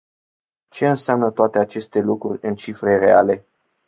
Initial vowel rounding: unrounded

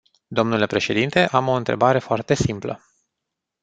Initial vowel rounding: rounded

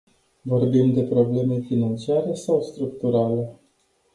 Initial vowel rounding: rounded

